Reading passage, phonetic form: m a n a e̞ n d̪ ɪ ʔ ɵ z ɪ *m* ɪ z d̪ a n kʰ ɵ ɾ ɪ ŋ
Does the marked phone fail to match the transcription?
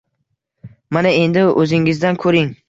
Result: yes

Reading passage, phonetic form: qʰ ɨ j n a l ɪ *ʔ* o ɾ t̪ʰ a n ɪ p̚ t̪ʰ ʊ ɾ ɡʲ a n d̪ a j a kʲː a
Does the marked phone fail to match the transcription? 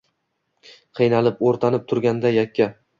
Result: yes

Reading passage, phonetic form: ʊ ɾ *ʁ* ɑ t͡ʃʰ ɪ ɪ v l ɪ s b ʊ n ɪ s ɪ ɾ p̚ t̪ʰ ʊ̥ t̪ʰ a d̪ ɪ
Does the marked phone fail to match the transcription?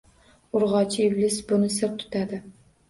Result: no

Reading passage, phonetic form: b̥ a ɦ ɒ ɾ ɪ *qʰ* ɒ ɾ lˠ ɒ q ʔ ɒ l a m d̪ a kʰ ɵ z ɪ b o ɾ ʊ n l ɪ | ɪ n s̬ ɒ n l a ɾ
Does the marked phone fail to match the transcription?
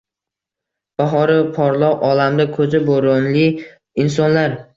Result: yes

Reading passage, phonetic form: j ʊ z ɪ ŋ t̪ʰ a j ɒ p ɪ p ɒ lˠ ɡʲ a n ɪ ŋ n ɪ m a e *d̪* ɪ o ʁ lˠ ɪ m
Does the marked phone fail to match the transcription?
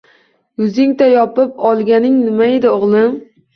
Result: no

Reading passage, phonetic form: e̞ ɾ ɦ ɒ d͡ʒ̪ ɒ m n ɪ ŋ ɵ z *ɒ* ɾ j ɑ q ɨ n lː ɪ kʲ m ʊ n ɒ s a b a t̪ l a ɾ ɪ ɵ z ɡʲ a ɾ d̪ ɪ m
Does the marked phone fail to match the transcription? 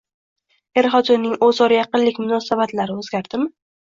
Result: no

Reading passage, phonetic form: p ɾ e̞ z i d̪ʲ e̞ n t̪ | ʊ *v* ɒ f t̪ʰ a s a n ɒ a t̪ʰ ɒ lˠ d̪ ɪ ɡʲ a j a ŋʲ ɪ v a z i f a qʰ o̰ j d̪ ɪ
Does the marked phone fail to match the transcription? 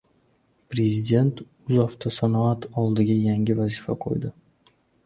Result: yes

